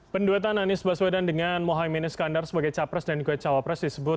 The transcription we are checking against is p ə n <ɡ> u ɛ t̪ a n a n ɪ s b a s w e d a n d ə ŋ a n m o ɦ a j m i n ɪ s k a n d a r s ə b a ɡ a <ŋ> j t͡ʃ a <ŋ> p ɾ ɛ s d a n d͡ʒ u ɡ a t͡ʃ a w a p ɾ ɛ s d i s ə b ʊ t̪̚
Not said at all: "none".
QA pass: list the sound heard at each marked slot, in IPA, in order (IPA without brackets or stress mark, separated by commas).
d, none, none